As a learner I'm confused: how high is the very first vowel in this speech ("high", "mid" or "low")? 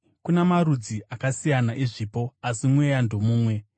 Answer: high